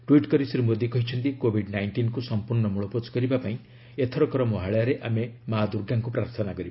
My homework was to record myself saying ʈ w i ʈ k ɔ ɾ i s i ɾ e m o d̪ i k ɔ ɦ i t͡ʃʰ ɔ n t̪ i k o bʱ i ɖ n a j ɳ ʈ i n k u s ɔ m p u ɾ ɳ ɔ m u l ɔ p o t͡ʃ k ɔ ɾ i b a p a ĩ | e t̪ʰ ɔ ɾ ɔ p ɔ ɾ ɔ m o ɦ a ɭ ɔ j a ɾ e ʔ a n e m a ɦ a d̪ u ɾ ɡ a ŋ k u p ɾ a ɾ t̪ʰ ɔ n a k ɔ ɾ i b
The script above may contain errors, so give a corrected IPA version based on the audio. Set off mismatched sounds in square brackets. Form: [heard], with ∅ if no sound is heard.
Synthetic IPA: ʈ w i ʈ k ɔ ɾ i s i ɾ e m o d̪ i k ɔ ɦ i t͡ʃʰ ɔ n t̪ i k o bʱ i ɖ n a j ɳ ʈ i n k u s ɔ m p u ɾ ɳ ɔ m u [ɭ] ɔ p o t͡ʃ k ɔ ɾ i b a p a ĩ | e t̪ʰ ɔ ɾ ɔ [k] ɔ ɾ ɔ m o ɦ a ɭ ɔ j a ɾ e ʔ a [m] e m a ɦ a d̪ u ɾ ɡ a ŋ k u p ɾ a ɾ t̪ʰ ɔ n a k ɔ ɾ i b

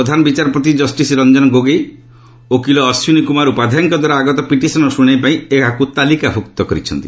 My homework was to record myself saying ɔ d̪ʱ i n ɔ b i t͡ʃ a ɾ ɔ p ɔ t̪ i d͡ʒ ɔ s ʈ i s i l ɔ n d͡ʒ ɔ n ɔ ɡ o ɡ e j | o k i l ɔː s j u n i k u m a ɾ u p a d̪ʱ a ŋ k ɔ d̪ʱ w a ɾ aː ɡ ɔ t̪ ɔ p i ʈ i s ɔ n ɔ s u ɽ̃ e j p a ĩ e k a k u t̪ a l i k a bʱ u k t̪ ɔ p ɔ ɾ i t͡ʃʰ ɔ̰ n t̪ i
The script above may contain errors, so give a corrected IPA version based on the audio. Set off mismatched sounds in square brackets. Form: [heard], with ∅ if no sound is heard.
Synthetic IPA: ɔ d̪ʱ [a] n ɔ b i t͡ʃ a ɾ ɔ p ɔ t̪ i d͡ʒ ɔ s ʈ i s i [ɾ] ɔ n d͡ʒ ɔ n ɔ ɡ o ɡ e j | o k i l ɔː s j u n i k u m a ɾ u p a d̪ʱ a ŋ k ɔ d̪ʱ w a ɾ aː ɡ ɔ t̪ ɔ p i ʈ i s ɔ n ɔ s u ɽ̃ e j p a ĩ e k a k u t̪ a l i k a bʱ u k t̪ ɔ [k] ɔ ɾ i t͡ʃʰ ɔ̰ n t̪ i

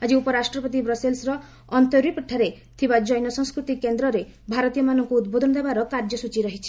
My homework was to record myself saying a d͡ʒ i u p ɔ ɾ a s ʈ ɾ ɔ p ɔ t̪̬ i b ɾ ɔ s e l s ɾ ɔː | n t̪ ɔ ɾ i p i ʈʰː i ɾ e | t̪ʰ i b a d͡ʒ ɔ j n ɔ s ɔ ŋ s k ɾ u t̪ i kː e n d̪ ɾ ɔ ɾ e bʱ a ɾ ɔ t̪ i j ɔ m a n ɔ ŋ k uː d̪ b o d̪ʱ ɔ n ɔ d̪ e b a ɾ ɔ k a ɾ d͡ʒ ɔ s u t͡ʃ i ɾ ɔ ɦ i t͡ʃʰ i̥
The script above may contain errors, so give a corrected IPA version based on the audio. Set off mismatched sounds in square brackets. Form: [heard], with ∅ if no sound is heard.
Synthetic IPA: a d͡ʒ i u p ɔ ɾ a s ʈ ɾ ɔ p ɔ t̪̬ i b ɾ ɔ s e l s ɾ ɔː | n t̪ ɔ ɾ i p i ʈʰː [a] ɾ e | t̪ʰ i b a d͡ʒ ɔ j n ɔ s ɔ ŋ s k ɾ u t̪ i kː e n d̪ ɾ ɔ ɾ e bʱ a ɾ ɔ t̪ i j ɔ m a n ɔ ŋ k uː d̪ b o d̪ʱ ɔ n ɔ d̪ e b a ɾ ɔ k a ɾ d͡ʒ ɔ s u t͡ʃ i ɾ ɔ ɦ i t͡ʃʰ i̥

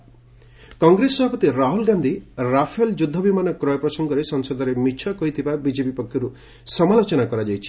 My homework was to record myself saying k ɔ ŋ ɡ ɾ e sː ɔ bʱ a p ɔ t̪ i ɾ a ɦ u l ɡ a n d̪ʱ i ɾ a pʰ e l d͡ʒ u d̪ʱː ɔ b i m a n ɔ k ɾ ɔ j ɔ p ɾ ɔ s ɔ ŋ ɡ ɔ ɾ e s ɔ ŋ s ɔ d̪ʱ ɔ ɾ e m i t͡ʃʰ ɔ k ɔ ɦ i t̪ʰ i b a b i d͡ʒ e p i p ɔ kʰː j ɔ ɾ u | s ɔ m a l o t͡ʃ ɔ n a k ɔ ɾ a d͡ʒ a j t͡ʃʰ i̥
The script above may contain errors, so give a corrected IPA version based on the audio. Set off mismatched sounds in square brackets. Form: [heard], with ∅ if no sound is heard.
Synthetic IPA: k ɔ ŋ ɡ ɾ e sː ɔ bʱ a p ɔ t̪ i ɾ a ɦ u l ɡ a n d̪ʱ i ɾ a pʰ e l d͡ʒ u d̪ʱː ɔ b i m a n ɔ k ɾ ɔ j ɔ p ɾ ɔ s ɔ ŋ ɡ ɔ ɾ e s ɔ ŋ s ɔ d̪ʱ ɔ ɾ e m i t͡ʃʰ ɔ k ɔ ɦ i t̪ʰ i b a b i d͡ʒ e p i p ɔ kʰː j ɔ ɾ u | s ɔ m a l o t͡ʃ ɔ n a k ɔ ɾ a d͡ʒ a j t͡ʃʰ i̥

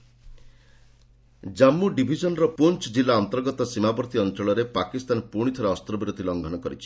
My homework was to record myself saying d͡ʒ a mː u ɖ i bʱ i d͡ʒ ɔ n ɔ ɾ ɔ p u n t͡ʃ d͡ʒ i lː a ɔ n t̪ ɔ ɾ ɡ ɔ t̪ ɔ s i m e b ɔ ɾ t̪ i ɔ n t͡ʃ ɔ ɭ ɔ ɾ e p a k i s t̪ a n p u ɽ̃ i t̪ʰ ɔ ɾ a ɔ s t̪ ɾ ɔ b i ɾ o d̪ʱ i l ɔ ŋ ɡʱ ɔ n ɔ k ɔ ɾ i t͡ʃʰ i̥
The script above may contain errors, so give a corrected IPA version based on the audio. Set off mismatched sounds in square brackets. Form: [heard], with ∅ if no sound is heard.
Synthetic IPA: d͡ʒ a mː u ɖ i bʱ i d͡ʒ ɔ n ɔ ɾ ɔ p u n t͡ʃ d͡ʒ i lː a ɔ n t̪ ɔ ɾ ɡ ɔ t̪ ɔ s i m [a] b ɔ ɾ t̪ i ɔ n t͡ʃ ɔ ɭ ɔ ɾ e p a k i s t̪ a n p u ɽ̃ i t̪ʰ ɔ ɾ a ɔ s t̪ ɾ ɔ b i ɾ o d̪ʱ i l ɔ ŋ ɡʱ ɔ n ɔ k ɔ ɾ i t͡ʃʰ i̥

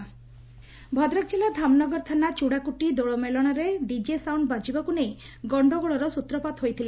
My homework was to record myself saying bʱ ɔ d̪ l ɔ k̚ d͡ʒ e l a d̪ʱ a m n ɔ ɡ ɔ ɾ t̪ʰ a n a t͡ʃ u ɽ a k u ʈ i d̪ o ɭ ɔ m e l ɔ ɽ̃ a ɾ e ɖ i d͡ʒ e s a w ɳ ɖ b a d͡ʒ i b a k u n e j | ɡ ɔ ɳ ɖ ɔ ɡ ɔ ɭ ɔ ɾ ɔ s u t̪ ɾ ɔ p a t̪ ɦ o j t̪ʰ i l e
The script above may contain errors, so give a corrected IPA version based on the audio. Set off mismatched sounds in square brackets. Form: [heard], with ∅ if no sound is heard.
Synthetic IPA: bʱ ɔ d̪ [ɾ] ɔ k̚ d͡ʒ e l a d̪ʱ a m n ɔ ɡ ɔ ɾ t̪ʰ a n a t͡ʃ u ɽ a k u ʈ i d̪ o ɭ ɔ m e l ɔ ɽ̃ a ɾ e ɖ i d͡ʒ e s a w ɳ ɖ b a d͡ʒ i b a k u n e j | ɡ ɔ ɳ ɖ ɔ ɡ ɔ ɭ ɔ ɾ ɔ s u t̪ ɾ ɔ p a t̪ ɦ o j t̪ʰ i l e

